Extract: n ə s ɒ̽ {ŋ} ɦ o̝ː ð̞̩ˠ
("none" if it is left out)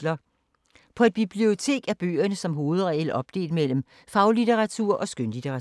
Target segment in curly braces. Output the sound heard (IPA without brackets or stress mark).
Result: m